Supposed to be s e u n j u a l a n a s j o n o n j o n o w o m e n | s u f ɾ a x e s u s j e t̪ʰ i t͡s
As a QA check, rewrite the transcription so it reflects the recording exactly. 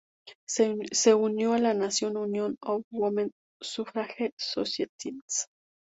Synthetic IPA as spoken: s e u n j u a l a n a s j o n u n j o n o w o m e n | s u f ɾ a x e s o s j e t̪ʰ i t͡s